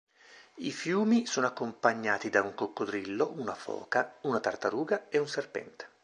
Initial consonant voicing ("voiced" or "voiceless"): voiceless